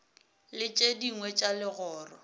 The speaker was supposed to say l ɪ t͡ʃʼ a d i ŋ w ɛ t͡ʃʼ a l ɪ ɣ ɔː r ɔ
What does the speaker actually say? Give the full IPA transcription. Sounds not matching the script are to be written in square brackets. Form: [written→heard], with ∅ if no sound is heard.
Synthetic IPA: l ɪ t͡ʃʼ [a→e] d i ŋ w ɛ t͡ʃʼ a l ɪ ɣ ɔː r ɔ